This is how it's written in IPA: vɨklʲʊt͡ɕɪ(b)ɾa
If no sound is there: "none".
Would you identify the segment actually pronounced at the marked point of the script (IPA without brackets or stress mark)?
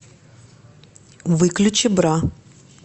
b